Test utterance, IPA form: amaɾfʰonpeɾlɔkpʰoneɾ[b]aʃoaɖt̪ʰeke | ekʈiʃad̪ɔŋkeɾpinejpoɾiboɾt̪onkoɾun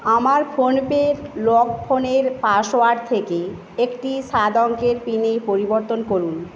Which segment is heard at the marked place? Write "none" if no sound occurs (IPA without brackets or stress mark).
p